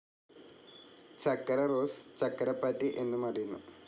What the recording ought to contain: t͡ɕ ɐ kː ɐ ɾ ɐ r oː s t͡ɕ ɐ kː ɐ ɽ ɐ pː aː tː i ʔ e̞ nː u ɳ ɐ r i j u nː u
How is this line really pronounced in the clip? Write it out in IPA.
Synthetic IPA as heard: t͡ɕ ɐ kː ɐ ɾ ɐ r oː s t͡ɕ ɐ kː ɐ ɾ ɐ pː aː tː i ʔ e̞ nː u m ɐ r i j u nː u